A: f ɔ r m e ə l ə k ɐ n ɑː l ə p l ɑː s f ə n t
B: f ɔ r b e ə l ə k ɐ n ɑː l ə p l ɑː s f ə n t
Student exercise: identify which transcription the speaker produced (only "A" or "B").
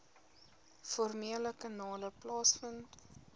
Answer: A